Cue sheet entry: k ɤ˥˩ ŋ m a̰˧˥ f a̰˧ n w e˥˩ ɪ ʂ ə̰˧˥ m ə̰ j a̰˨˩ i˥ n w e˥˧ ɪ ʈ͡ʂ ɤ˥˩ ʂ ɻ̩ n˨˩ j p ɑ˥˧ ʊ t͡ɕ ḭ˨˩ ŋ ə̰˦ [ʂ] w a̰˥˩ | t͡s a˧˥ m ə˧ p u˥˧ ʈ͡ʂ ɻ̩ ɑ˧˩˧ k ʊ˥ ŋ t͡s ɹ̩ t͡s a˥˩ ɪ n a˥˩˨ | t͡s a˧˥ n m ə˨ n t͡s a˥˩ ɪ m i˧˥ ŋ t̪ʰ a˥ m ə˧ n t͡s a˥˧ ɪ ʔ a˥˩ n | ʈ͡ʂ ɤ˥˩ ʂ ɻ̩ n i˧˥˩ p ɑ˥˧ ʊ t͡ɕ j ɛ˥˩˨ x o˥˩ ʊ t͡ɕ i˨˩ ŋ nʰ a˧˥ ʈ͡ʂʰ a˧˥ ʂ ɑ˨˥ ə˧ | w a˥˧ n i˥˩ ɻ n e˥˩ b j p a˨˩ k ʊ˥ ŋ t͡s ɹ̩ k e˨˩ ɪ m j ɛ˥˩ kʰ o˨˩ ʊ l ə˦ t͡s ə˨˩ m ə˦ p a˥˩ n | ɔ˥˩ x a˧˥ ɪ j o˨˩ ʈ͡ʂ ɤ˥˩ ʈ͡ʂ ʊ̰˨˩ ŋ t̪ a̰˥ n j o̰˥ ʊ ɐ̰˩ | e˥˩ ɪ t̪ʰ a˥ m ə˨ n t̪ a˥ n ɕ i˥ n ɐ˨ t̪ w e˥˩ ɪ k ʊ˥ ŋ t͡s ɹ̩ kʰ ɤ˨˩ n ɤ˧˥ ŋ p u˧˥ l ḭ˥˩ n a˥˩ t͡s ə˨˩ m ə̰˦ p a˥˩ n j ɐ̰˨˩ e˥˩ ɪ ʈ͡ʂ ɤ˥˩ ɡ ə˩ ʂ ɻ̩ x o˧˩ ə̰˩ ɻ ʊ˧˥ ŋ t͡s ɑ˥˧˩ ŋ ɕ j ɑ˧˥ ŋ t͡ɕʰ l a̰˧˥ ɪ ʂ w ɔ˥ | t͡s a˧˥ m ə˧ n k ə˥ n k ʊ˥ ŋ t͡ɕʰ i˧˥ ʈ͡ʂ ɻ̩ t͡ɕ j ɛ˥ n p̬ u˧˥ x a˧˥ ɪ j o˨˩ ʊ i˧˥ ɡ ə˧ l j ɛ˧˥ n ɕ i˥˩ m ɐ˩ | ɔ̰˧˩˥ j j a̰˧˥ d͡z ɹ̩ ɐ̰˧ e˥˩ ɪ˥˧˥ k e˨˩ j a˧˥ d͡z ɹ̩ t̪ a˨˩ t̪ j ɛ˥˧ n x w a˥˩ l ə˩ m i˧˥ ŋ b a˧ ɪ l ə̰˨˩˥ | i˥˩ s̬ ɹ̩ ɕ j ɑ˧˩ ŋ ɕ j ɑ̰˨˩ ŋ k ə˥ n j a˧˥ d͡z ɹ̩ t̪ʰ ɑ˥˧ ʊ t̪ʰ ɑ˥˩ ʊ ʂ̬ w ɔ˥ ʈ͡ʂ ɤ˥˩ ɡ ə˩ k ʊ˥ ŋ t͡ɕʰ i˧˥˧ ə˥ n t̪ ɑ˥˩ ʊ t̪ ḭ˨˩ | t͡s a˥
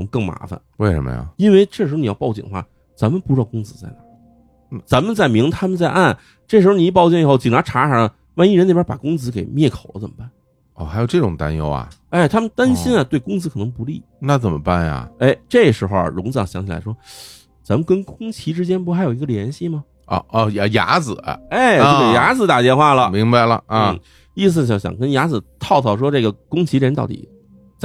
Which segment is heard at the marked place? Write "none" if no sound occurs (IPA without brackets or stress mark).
x